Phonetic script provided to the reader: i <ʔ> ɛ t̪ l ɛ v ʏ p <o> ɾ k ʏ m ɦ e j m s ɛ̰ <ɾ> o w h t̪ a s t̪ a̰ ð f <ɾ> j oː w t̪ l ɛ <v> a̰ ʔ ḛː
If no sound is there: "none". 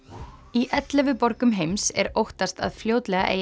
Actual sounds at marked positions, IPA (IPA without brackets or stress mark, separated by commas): ʔ, ɔ, ɾ, l, ɣ